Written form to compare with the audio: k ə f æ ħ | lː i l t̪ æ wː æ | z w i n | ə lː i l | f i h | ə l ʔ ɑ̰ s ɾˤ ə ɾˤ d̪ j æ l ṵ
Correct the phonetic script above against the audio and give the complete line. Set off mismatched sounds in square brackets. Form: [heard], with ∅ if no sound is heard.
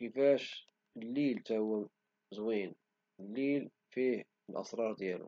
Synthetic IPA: k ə f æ [ʃ] | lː i l t̪ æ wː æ | z w i n | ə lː i l | f i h | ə l ʔ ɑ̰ s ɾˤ [ɑ] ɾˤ d̪ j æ l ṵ